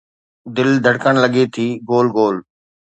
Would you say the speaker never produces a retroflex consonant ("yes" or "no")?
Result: no